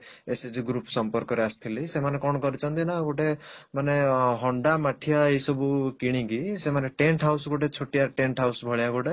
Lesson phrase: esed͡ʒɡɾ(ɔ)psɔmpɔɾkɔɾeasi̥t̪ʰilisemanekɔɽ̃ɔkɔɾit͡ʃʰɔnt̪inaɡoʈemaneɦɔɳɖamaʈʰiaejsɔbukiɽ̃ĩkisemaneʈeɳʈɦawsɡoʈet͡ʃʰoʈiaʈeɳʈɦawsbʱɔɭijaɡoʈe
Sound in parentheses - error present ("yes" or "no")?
yes